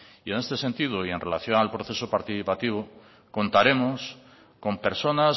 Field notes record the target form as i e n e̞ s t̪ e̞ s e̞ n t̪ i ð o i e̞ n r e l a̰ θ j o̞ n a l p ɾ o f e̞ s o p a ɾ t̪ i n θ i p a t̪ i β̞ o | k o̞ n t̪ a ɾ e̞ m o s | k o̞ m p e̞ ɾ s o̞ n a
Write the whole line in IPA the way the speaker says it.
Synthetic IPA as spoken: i e n e̞ s t̪ e̞ s e̞ n t̪ i ð o i e̞ n r e l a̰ θ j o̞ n a l p ɾ o θ e̞ s o p a ɾ t̪ i θ i p a t̪ i β̞ o | k o̞ n t̪ a ɾ e̞ m o s | k o̞ m p e̞ ɾ s o̞ n a

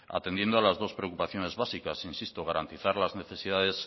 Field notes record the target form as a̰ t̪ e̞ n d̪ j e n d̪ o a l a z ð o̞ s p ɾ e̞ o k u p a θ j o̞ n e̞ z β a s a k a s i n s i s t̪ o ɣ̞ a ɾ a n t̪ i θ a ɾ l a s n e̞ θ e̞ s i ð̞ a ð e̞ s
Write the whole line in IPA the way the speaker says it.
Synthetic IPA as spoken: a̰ t̪ e̞ n d̪ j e n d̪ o a l a z ð o̞ s p ɾ e̞ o k u p a θ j o̞ n e̞ z β a s i k a s i n s i s t̪ o ɣ̞ a ɾ a n t̪ i θ a ɾ l a z n e̞ θ e̞ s i ð̞ a ð e̞ s

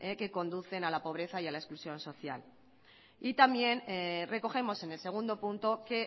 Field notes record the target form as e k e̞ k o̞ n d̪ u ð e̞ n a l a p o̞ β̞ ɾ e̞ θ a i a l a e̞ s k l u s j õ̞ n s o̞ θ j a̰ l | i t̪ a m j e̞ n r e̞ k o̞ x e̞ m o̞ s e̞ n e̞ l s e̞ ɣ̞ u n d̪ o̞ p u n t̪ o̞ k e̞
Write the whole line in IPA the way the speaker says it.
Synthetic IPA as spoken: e k e̞ k o̞ n d̪ u θ e̞ n a l a p o̞ β̞ ɾ e̞ θ a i a l a e̞ s k l u s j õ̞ n s o̞ θ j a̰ l | i t̪ a m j e̞ n r e̞ k o̞ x e̞ m o̞ s e̞ n e̞ l s e̞ ɣ̞ u n d̪ o̞ p u n t̪ o̞ k e̞

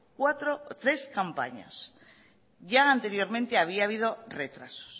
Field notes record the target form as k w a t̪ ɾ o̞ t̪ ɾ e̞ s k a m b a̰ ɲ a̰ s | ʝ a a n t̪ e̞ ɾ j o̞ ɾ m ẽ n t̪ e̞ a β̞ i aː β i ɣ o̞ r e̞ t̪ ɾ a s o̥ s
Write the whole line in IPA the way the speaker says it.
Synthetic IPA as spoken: k w a t̪ ɾ o̞ t̪ ɾ e̞ s k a m p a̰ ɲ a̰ s | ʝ a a n t̪ e̞ ɾ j o̞ ɾ m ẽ n t̪ e̞ a β̞ i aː β i ð o̞ r e̞ t̪ ɾ a s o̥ s

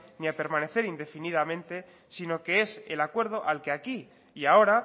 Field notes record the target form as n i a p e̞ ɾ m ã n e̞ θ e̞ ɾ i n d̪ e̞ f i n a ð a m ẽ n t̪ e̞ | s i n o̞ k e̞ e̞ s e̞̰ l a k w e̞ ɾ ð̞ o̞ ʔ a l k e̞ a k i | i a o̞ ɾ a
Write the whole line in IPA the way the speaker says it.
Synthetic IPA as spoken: n i a p e̞ ɾ m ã n e̞ θ e̞ ɾ i n d̪ e̞ f i n i ð a m ẽ n t̪ e̞ | s i n o̞ k e̞ e̞ s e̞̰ l a k w e̞ ɾ ð̞ o̞ ʔ a l k e̞ a k i | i a o̞ ɾ a

